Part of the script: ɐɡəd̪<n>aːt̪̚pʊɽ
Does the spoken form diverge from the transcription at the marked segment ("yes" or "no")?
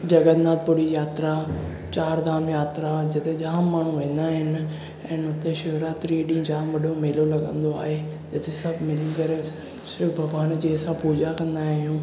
no